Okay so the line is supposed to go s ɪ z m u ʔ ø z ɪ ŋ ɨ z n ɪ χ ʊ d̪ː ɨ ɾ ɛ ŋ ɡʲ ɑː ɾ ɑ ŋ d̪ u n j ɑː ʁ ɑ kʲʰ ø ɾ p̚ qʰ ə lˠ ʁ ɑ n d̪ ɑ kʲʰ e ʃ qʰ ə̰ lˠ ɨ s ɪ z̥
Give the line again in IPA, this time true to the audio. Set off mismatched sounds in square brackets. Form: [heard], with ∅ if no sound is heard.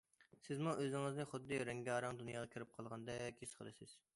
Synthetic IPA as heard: s ɪ z m u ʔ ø z ɪ ŋ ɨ z n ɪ χ ʊ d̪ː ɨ ɾ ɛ ŋ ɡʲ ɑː ɾ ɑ ŋ d̪ u n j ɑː ʁ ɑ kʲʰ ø ɾ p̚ qʰ [ɑ] lˠ ʁ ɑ n d̪ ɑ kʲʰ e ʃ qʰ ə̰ lˠ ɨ s ɪ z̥